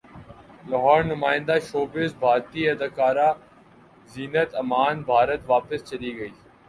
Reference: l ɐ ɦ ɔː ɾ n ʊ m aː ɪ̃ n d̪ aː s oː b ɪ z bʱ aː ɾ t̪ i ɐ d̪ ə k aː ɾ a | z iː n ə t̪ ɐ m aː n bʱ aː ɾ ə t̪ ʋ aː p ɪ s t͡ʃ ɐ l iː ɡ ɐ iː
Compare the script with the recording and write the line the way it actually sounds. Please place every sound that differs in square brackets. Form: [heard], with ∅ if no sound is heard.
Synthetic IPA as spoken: l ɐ ɦ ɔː ɾ n ʊ m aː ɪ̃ n d̪ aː [ʃ] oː b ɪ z bʱ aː ɾ t̪ i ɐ d̪ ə k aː ɾ a | z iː n ə t̪ ɐ m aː n bʱ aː ɾ ə t̪ ʋ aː p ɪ s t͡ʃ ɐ l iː ɡ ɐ iː